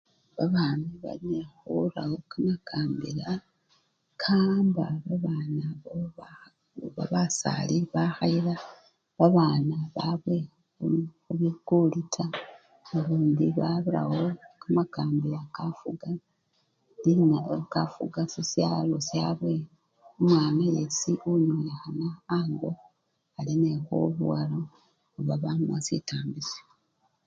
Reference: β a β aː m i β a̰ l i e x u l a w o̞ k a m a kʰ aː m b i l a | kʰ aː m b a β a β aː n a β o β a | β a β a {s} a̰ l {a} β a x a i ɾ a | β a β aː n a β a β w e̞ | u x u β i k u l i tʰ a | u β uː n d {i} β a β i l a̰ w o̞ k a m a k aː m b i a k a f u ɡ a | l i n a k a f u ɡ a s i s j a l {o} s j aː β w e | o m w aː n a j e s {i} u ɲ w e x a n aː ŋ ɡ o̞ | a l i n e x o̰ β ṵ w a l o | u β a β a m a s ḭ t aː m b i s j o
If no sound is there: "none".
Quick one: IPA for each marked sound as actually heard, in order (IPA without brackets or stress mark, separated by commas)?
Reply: s, i, i, o, i